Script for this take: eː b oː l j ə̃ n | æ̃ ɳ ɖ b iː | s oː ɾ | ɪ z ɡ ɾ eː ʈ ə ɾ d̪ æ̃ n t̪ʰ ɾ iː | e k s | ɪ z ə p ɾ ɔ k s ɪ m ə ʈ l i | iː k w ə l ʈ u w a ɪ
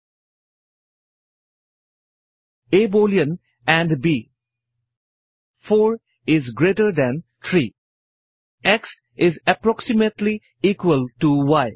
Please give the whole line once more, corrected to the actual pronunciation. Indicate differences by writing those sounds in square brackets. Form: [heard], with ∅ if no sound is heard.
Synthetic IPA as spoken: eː b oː l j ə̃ n | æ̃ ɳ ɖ b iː | [f] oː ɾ | ɪ z ɡ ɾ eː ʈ ə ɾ d̪ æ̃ n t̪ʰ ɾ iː | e k s | ɪ z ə p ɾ ɔ k s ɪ m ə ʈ l i | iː k w ə l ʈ u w a ɪ

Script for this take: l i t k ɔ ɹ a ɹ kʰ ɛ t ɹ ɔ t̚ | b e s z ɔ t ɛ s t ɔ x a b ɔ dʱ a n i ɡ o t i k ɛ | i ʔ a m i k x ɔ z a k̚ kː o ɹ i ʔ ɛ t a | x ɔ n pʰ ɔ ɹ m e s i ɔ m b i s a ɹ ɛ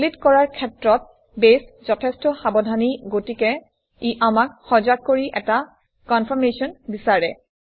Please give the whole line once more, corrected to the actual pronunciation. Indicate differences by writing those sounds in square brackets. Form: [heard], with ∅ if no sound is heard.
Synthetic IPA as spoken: l i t k ɔ ɹ a ɹ kʰ ɛ t ɹ ɔ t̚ | b e s z ɔ [tʰ] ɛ s t ɔ x a b ɔ dʱ a n i ɡ o t i k ɛ | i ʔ a m [a] k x ɔ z a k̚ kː o ɹ i ʔ ɛ t a | [k] ɔ n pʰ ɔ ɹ m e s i ɔ [n] b i s a ɹ ɛ

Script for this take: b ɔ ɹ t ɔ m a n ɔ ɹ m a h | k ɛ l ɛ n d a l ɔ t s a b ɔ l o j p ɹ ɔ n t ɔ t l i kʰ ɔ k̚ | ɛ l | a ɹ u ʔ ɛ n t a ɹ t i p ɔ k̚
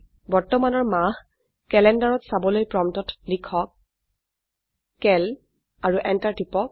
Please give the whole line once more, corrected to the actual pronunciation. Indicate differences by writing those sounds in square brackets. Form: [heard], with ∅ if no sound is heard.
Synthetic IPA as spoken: b ɔ ɹ t ɔ m a n ɔ ɹ m a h | k ɛ l ɛ n d a [ɹ] ɔ t s a b ɔ l o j p ɹ ɔ [m] t ɔ t l i kʰ ɔ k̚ | ɛ l | a ɹ u ʔ ɛ n t a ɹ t i p ɔ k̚

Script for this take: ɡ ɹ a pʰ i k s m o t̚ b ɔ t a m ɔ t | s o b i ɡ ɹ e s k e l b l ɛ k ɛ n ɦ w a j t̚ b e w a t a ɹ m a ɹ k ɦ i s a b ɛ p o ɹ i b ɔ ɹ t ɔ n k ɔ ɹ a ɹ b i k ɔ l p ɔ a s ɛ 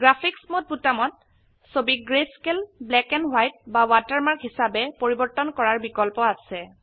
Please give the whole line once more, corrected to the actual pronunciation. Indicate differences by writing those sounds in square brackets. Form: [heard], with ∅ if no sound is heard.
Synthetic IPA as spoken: ɡ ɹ a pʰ i k s m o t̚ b [u] t a m ɔ t | s o b i ɡ ɹ e s k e l b l ɛ k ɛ n ɦ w a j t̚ b [a] w a t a ɹ m a ɹ k ɦ i s a b ɛ p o ɹ i b ɔ ɹ t ɔ n k ɔ ɹ a ɹ b i k ɔ l p ɔ a s ɛ

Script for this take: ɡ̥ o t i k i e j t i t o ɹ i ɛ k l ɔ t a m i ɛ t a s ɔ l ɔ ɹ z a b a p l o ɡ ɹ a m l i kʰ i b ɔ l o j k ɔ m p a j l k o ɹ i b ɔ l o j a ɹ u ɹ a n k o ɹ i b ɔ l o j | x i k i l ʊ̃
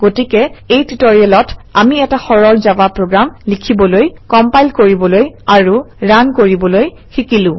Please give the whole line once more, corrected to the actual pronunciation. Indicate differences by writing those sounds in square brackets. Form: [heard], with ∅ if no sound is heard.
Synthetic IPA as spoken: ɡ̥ o t i k [ɛ] e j t i t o ɹ i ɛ [∅] l ɔ t a m i ɛ t a [x] ɔ [ɹ] ɔ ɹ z a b a p [ɹ] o ɡ ɹ a m l i kʰ i b ɔ l o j k ɔ m p a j l k o ɹ i b ɔ l o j a ɹ u ɹ a n k o ɹ i b ɔ l o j | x i k i l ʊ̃

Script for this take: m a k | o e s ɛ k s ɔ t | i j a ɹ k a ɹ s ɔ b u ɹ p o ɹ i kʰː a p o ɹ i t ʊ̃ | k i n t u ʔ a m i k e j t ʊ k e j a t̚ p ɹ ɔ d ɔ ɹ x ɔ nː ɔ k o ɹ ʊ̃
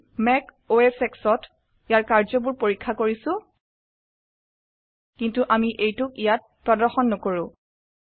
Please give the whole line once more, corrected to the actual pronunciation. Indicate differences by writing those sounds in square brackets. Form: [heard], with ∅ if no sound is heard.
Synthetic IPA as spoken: m [ɛ] k | o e s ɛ k s ɔ t | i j a ɹ k a ɹ [z] ɔ b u ɹ p o ɹ i kʰː a [k] o ɹ i [s] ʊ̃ | k i n t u ʔ a m i [ʔ] e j t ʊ k [i] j a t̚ p ɹ ɔ d ɔ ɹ x ɔ nː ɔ k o ɹ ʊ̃

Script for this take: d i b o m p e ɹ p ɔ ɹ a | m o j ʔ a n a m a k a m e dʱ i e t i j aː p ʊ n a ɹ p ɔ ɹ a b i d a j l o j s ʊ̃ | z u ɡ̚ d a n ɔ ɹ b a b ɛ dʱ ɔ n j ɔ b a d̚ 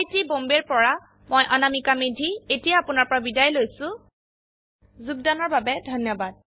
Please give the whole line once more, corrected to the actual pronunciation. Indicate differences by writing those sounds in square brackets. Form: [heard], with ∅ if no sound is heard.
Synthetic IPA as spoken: [t] i b o m [b] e ɹ p ɔ ɹ a | m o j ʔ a n a m [i] k a m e dʱ i e t i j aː p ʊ n a ɹ p ɔ ɹ a b i d a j l o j s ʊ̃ | z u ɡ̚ d a n ɔ ɹ b a b ɛ dʱ ɔ n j ɔ b a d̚

